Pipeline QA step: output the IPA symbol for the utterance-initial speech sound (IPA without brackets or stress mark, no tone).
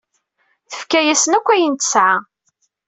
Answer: θ